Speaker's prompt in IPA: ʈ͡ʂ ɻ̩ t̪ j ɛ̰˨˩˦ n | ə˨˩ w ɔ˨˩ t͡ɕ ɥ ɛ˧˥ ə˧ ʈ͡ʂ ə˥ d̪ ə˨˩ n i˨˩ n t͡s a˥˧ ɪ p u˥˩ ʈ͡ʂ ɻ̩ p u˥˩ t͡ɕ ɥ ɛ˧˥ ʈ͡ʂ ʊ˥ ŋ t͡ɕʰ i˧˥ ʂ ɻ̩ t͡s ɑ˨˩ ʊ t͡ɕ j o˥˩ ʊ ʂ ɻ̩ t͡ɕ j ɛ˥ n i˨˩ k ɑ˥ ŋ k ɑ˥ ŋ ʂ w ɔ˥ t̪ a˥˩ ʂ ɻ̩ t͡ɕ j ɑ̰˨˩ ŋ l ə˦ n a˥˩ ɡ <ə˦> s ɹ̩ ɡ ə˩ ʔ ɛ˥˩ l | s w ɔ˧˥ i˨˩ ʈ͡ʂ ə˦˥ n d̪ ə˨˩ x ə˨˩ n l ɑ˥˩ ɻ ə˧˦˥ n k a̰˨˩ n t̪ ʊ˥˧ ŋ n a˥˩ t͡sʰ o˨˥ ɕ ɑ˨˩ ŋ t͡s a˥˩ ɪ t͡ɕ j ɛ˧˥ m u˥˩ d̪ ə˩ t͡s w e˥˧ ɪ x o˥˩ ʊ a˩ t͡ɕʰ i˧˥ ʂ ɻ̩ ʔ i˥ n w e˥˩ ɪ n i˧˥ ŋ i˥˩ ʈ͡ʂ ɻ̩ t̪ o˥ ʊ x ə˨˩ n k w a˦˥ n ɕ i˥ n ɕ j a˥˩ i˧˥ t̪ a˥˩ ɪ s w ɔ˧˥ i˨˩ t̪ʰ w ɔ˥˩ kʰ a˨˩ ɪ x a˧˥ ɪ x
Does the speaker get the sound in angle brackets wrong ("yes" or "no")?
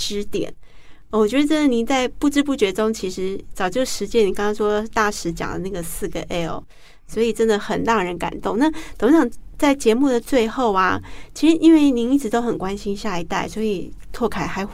yes